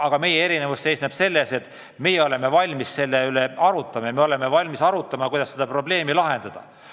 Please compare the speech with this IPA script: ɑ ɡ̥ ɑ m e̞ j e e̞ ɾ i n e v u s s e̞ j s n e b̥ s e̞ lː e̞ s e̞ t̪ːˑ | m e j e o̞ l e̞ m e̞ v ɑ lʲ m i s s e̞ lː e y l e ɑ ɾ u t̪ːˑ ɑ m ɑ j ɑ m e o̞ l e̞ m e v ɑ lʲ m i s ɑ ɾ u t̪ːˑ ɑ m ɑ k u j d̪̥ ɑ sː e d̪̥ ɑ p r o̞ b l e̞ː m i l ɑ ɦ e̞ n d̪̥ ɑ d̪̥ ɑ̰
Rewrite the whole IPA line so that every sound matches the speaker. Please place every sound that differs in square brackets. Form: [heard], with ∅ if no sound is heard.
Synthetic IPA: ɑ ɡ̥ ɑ m e̞ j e e̞ ɾ i n e v u s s e̞ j s n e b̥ s e̞ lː e̞ s e̞ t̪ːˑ | m e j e o̞ l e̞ m e̞ v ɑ lʲ m i s s e̞ lː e y l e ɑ ɾ u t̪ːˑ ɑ m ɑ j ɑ m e o̞ l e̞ m e v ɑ lʲ m i s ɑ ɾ u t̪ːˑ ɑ m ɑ k u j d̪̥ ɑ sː e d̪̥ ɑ p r o̞ b l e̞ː m i l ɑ ɦ e̞ n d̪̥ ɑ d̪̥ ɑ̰